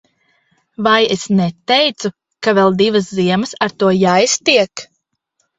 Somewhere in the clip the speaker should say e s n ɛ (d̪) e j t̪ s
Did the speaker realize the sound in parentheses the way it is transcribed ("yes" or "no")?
no